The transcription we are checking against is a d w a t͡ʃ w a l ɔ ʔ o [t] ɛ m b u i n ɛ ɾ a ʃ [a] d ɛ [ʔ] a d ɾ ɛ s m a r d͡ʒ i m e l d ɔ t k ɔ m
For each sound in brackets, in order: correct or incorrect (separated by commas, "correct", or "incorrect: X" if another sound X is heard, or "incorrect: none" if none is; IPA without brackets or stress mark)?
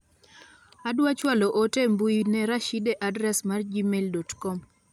correct, incorrect: i, correct